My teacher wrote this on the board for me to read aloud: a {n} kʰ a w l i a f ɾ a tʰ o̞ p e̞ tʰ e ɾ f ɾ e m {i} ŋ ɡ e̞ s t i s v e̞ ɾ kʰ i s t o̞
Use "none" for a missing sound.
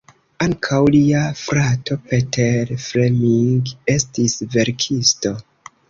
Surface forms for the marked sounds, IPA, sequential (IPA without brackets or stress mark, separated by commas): ŋ, i